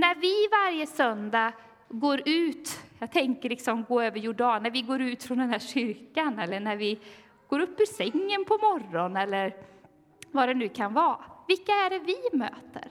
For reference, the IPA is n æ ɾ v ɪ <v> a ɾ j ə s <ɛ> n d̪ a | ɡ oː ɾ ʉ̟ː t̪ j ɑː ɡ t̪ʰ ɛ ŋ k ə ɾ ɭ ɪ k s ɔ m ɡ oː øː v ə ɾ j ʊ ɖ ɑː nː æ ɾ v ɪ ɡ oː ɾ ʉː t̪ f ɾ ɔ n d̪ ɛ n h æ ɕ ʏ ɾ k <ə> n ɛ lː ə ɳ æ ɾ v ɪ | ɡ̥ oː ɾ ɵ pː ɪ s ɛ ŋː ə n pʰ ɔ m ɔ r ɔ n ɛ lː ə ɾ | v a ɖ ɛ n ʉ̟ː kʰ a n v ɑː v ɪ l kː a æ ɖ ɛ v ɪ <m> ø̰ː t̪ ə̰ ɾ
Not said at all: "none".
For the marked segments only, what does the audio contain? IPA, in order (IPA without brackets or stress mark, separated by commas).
v, œ, a, m